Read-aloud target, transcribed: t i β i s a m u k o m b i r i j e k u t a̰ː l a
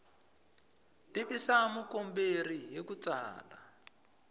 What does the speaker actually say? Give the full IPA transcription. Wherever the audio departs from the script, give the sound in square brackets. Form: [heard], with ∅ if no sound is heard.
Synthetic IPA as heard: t i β i s a m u k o m b [e] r i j e k u [t͡s] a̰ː l a